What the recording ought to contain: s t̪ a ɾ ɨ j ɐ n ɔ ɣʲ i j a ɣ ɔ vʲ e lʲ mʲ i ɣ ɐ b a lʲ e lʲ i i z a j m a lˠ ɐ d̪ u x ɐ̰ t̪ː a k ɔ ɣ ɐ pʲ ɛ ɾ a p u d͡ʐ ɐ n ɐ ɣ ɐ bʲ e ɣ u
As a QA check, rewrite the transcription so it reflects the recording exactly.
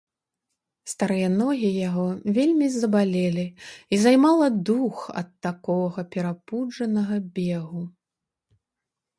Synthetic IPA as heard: s t̪ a ɾ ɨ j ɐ n ɔ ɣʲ i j a ɣ ɔ vʲ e lʲ mʲ i z ɐ b a lʲ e lʲ i i z a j m a lˠ ɐ d̪ u x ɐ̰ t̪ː a k ɔ ɣ ɐ pʲ ɛ ɾ a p u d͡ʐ ɐ n ɐ ɣ ɐ bʲ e ɣ u